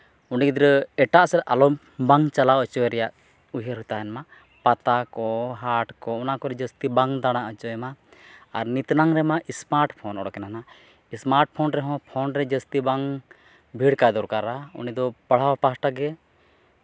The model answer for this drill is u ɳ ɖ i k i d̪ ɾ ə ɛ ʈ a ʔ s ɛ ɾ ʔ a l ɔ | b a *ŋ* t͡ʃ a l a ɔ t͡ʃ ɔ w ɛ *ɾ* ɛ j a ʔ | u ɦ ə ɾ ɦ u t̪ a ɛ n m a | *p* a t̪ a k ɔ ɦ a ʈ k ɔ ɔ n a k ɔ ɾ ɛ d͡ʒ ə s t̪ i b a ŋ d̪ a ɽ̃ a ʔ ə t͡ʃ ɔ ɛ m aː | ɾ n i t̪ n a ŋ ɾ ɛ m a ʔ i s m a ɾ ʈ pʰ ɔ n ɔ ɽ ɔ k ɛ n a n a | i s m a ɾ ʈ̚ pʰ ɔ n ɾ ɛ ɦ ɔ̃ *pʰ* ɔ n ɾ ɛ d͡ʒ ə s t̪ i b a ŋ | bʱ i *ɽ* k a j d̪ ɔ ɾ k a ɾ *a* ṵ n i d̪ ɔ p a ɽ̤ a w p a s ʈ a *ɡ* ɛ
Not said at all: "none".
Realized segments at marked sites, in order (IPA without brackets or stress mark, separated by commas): ŋ, ɾ, p, pʰ, ɽ, a, ɡ